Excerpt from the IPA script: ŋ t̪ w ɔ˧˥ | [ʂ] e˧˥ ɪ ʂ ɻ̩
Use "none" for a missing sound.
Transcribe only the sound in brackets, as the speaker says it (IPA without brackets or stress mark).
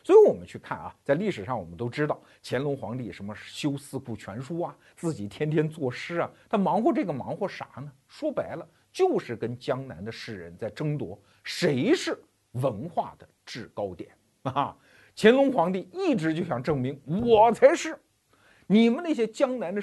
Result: ʂ